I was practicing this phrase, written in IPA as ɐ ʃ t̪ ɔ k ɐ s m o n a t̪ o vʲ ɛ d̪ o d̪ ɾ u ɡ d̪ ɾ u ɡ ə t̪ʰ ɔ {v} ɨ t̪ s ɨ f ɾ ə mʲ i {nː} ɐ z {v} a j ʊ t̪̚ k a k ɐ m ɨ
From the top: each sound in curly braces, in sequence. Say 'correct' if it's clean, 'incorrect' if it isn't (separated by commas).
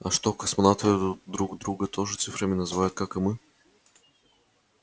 incorrect, incorrect, correct